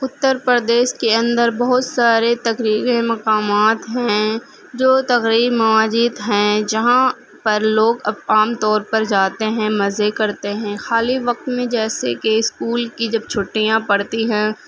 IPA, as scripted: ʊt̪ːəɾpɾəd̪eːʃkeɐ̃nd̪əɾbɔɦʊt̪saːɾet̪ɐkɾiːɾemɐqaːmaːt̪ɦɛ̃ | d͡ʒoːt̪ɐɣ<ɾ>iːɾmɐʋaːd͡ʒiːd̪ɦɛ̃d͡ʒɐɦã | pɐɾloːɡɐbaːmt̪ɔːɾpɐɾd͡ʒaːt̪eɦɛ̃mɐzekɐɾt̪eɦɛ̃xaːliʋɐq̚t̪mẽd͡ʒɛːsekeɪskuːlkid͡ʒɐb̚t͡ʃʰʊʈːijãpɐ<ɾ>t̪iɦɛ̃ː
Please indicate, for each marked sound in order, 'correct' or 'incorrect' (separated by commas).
correct, incorrect